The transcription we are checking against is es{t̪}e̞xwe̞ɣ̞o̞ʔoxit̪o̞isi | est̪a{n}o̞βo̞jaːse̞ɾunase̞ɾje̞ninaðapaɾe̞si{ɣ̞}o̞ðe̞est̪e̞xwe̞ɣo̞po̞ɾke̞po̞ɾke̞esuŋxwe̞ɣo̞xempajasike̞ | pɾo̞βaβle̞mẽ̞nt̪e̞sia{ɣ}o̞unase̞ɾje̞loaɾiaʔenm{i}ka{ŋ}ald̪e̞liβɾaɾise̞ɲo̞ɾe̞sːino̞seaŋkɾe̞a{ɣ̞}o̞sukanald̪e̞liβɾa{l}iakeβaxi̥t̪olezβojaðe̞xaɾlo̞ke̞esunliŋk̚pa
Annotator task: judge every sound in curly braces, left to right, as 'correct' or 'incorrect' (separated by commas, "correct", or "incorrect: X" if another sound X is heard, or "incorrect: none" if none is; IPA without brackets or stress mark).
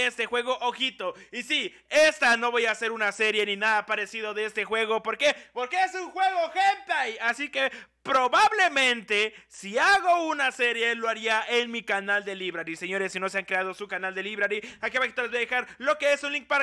correct, correct, incorrect: ð̞, correct, correct, incorrect: n, incorrect: ð̞, incorrect: ɾ